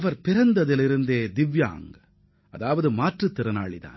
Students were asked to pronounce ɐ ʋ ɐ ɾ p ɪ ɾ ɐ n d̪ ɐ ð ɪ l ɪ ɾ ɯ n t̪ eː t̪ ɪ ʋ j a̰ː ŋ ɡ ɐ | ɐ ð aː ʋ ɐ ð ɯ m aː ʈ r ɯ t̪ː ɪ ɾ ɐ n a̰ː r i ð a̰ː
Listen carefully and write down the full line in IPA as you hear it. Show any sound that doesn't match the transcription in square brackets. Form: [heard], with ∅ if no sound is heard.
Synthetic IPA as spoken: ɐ ʋ ɐ ɾ p ɪ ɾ ɐ n d̪ ɐ ð ɪ l ɪ ɾ ɯ n [d̪] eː [d̪] ɪ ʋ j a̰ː ŋ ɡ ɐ | ɐ ð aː ʋ ɐ ð ɯ m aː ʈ r ɯ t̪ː ɪ ɾ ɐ n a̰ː [ɭ] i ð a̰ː